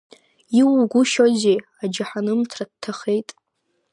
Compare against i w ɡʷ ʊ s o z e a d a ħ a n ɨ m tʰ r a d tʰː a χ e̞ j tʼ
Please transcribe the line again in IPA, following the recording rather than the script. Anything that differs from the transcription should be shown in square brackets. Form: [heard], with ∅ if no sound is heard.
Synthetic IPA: i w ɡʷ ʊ [ʃ] o z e a [d͡ʒ] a ħ a n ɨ m tʰ r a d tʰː a χ e̞ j tʼ